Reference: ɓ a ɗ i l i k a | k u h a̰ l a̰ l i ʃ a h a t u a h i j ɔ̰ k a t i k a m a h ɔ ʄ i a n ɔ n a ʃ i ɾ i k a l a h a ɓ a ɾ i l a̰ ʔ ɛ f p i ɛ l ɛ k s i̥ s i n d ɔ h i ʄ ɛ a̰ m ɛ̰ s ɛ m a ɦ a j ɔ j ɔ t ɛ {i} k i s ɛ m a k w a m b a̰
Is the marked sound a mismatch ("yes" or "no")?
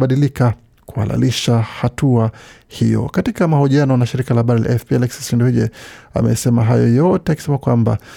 yes